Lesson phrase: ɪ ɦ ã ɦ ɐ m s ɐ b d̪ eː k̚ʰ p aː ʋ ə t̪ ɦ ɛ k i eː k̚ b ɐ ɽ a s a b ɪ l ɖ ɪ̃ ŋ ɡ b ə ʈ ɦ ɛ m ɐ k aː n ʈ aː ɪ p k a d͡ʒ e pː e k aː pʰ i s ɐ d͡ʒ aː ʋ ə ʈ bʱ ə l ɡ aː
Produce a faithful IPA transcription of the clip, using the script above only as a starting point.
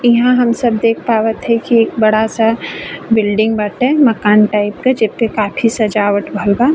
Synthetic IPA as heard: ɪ ɦ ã ɦ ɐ m s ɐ b d̪ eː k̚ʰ p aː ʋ ə t̪ ɦ ɛ k i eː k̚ b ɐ ɽ a s a b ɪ l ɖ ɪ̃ ŋ ɡ b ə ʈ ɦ ɛ m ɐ k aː n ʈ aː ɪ p k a d͡ʒ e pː e k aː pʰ i s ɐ d͡ʒ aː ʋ ə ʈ bʱ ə l ɡ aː